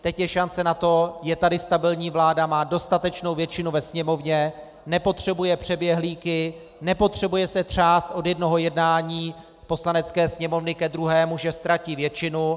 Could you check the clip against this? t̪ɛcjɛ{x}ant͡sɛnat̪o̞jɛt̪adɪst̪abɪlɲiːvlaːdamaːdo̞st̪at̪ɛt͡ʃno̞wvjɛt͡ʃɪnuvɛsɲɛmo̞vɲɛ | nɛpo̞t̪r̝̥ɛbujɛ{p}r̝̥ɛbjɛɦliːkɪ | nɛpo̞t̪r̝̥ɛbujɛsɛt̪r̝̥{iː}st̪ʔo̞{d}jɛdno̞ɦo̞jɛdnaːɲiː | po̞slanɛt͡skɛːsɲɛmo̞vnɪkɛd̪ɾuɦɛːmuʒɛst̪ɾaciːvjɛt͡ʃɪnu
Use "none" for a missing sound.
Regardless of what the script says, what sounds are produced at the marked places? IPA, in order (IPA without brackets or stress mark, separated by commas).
ʃ, p, aː, d